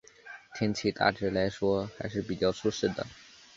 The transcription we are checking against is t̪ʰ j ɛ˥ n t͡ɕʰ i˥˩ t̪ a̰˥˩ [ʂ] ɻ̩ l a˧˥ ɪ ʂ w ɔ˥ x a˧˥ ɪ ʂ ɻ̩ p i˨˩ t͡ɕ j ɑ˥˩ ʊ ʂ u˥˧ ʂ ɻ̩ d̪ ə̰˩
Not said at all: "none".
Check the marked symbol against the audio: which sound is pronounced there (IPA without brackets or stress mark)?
ʈ͡ʂ